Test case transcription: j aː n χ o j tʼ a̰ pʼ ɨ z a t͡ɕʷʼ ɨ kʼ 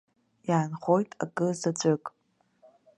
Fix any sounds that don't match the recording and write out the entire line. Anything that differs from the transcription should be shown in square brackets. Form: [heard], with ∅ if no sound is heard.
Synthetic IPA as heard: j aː n χ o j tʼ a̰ [kʼ] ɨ z a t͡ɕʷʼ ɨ kʼ